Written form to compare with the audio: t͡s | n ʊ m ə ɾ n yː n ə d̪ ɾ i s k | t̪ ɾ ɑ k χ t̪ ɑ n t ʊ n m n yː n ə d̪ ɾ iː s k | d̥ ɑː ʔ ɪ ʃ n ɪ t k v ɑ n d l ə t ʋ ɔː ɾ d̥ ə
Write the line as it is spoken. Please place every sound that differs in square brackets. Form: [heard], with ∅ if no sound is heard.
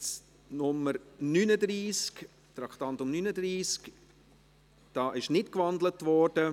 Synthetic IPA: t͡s | n ʊ m ə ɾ n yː n ə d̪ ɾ [iː] s k | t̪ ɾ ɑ k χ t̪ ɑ n t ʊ [∅] m n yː n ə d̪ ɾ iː s k | d̥ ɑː ʔ ɪ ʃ n ɪ t k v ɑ n d l ə t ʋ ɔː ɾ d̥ ə